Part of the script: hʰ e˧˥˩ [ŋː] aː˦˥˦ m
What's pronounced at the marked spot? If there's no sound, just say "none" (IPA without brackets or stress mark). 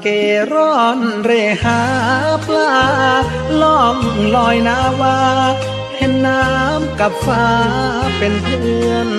nː